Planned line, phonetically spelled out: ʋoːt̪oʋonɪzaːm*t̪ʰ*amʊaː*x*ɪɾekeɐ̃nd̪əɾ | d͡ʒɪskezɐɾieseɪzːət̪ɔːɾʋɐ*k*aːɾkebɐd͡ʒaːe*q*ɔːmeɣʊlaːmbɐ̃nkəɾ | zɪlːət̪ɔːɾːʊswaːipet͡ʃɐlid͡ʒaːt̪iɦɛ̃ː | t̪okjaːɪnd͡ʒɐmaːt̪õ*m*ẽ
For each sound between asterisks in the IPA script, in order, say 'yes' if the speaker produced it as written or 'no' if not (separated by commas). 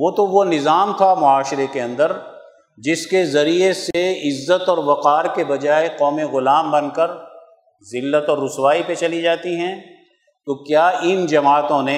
yes, no, no, yes, no